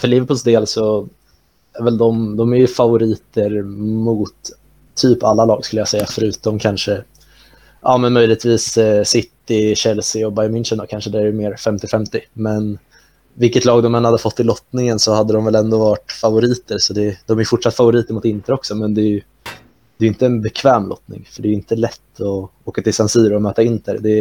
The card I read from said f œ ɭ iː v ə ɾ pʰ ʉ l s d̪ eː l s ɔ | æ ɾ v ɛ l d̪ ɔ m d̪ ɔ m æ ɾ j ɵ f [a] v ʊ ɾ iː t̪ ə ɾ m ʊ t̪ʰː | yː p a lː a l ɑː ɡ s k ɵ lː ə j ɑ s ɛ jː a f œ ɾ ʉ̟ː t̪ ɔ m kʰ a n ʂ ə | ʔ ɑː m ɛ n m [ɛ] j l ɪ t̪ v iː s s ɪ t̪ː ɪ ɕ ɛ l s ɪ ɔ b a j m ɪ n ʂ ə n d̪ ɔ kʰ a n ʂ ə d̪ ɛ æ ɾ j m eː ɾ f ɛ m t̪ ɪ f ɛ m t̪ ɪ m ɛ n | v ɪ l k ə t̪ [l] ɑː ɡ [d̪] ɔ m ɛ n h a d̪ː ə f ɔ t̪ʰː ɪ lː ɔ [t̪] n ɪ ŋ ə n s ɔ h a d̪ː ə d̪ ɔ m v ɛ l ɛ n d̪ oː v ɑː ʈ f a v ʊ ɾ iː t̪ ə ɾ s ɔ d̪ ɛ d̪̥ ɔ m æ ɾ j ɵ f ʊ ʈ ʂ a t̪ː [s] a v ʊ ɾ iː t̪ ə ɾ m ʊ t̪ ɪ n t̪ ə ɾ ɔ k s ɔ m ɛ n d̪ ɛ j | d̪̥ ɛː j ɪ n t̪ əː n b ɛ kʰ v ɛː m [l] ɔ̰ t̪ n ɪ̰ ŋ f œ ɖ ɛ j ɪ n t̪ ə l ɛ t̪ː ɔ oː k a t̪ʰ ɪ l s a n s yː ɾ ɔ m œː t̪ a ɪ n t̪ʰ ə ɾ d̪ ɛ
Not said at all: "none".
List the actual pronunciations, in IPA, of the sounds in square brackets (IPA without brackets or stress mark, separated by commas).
a, œ, l, d̪, t̪, f, l